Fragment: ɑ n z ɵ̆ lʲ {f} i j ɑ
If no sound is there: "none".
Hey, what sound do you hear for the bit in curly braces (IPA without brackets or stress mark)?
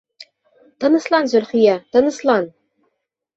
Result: χ